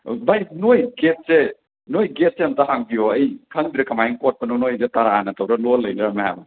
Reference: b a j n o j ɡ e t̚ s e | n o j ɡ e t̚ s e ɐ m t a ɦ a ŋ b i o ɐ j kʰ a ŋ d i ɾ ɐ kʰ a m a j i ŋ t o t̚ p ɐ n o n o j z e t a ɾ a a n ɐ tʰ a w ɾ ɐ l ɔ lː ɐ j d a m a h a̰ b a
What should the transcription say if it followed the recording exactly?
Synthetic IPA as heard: b a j n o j ɡ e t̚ s e | n o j ɡ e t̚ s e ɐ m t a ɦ a ŋ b i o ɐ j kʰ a ŋ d i ɾ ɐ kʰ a m a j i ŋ k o t̚ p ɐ n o n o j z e t a ɾ a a n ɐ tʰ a w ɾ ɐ l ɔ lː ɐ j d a m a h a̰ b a

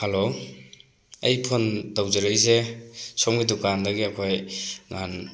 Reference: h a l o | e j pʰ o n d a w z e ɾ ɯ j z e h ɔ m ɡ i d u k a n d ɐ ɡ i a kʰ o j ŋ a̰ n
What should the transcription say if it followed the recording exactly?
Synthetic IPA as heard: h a l o | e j pʰ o n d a w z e ɾ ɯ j z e s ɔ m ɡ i d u k a n d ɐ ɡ i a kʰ o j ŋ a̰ n

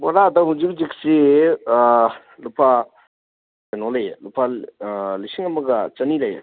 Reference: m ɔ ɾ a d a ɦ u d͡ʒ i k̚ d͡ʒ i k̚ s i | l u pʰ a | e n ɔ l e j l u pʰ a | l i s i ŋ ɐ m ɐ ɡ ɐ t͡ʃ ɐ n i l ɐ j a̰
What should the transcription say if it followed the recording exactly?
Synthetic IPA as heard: b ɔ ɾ a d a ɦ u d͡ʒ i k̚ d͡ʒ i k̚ s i | l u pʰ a | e n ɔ l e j l u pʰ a | l i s i ŋ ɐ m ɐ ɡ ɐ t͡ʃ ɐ n i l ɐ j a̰

